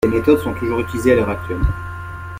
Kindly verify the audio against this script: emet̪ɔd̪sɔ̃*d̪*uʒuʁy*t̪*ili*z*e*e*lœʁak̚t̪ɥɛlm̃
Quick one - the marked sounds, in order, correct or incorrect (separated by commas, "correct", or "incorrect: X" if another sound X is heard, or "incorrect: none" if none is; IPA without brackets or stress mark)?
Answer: incorrect: t̪, correct, correct, incorrect: a